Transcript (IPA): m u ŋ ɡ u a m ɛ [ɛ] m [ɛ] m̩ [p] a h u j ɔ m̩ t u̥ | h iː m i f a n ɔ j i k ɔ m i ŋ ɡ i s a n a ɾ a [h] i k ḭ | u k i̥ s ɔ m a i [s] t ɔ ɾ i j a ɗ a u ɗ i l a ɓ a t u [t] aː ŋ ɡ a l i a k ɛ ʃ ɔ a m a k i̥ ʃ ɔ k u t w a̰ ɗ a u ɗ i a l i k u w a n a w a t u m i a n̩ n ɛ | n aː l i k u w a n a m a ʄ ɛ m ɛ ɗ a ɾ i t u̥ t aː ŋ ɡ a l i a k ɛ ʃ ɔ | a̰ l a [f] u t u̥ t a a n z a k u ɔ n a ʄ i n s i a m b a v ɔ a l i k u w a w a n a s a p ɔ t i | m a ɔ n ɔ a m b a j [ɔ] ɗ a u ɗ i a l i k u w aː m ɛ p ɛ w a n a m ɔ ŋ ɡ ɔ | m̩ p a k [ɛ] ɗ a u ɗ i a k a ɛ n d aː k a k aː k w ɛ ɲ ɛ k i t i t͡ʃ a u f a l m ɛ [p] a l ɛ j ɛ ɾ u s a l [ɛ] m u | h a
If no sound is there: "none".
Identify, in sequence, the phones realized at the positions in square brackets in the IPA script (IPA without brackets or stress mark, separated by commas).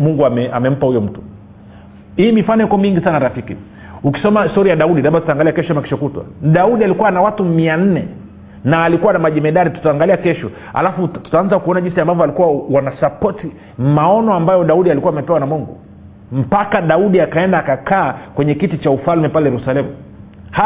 a, ɛ, p, f, s, t, f, ɔ, a, p, ɛ